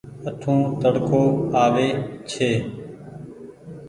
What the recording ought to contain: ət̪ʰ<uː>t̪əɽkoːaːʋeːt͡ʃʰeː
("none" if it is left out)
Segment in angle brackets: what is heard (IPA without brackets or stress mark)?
ũː